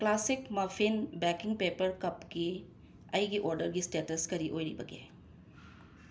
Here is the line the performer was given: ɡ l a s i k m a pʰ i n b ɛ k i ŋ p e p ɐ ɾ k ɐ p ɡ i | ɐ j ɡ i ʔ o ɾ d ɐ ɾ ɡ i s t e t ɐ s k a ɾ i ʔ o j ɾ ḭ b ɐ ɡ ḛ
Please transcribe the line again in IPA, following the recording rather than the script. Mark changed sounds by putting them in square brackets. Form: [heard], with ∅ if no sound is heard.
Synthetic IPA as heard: [k] l a s i k m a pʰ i n b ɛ k i ŋ p e p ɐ ɾ k ɐ p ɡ i | ɐ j ɡ i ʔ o ɾ d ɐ ɾ ɡ i s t e t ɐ s k [ɐ] ɾ i ʔ o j ɾ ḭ b ɐ ɡ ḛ